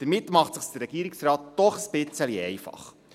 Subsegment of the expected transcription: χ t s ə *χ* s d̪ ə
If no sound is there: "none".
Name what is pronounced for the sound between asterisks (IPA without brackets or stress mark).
χ